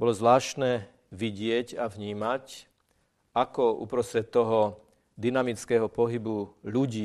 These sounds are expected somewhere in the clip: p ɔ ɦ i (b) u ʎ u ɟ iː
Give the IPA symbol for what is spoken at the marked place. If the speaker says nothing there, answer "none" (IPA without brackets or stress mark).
b